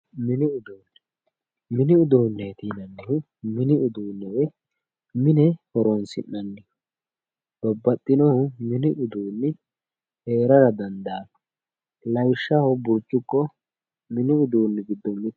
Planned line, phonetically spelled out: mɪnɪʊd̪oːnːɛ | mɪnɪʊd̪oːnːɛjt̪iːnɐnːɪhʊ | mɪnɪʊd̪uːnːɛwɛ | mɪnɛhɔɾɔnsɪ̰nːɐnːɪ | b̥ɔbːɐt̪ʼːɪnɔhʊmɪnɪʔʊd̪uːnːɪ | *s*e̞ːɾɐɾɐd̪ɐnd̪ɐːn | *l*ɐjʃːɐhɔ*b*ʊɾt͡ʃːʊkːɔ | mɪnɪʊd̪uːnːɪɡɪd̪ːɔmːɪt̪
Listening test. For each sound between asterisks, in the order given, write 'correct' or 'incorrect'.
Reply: incorrect, correct, correct

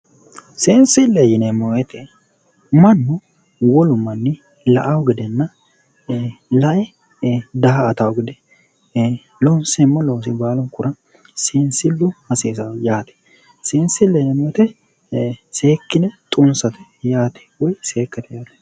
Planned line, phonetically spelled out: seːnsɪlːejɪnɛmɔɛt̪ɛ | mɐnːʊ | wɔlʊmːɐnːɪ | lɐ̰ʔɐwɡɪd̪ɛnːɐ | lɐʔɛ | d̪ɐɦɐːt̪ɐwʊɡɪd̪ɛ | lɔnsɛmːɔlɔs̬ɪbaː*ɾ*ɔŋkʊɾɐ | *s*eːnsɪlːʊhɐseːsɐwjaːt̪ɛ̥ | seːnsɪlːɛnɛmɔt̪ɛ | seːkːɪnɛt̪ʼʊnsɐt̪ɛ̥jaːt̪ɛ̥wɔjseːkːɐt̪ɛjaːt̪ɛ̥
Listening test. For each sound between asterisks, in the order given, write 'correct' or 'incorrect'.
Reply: incorrect, correct

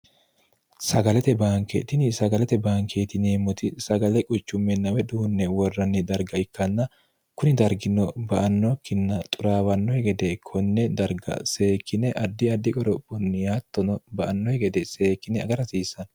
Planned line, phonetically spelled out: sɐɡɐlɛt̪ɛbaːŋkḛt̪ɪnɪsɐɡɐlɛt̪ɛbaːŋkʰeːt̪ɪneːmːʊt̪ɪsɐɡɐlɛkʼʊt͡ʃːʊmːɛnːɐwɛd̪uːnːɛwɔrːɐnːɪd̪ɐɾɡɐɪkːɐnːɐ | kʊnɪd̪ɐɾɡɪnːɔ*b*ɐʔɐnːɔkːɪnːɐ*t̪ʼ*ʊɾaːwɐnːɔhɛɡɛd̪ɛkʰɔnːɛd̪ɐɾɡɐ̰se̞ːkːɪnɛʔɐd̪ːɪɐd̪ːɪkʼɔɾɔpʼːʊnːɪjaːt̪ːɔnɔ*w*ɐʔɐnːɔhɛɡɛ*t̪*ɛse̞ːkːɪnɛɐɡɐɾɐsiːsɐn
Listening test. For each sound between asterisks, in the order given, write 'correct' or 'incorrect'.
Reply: correct, correct, incorrect, incorrect

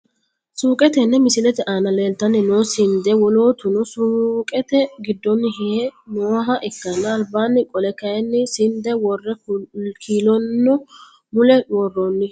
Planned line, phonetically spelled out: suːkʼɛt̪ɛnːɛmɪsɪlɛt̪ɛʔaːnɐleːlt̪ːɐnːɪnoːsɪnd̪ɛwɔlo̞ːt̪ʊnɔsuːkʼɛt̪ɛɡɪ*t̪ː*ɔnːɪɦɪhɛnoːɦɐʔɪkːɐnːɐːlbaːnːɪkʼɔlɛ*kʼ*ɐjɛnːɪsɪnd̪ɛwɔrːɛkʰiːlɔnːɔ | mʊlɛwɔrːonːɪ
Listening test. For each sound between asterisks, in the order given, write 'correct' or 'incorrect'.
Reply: incorrect, incorrect

